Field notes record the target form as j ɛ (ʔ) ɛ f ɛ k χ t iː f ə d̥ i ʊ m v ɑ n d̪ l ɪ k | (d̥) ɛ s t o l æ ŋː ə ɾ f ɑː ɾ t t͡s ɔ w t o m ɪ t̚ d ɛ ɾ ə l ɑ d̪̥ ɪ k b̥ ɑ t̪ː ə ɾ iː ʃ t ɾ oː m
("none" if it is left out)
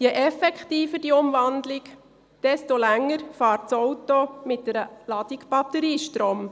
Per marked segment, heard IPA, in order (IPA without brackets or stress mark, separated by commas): ʔ, d̥